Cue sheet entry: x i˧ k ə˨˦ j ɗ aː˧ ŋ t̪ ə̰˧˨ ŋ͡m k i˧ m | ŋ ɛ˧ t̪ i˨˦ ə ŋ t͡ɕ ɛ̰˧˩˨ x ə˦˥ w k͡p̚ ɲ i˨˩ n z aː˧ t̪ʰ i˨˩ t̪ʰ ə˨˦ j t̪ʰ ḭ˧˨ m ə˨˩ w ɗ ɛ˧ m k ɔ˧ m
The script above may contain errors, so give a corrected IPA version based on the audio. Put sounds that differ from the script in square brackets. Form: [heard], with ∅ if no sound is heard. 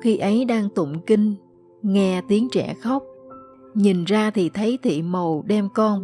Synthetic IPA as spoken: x i˧ [ʔ] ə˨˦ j ɗ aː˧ ŋ t̪ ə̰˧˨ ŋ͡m k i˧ [ŋ] | ŋ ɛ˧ t̪ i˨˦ ə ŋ t͡ɕ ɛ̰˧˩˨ x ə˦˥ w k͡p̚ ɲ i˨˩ n z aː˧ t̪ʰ i˨˩ t̪ʰ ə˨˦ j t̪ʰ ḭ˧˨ m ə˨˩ w ɗ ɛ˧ m k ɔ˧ [n]